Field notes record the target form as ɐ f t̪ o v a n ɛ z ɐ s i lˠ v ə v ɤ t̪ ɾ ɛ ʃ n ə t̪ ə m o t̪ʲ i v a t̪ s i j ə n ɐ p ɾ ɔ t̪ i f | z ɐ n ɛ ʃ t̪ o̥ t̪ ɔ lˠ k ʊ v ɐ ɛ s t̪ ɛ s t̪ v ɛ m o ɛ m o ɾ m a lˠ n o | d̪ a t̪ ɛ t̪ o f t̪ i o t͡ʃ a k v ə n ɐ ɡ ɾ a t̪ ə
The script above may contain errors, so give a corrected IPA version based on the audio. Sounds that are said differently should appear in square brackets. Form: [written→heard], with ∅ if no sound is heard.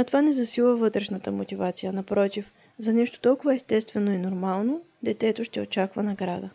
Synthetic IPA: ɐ [f→∅] t̪ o v a n ɛ z ɐ s i lˠ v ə v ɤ t̪ ɾ ɛ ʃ n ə t̪ ə m o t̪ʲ i v a t̪ s i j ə n ɐ p ɾ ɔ t̪ i f | z ɐ n ɛ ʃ t̪ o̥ t̪ ɔ lˠ k ʊ v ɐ ɛ s t̪ ɛ s t̪ v ɛ [m→n] o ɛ [m→n] o ɾ m a lˠ n o | d̪ [a→ɛ] t̪ ɛ t̪ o [f→ʃ] t̪ [i→ɛ] o t͡ʃ a k v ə n ɐ ɡ ɾ a [t̪→d̪] ə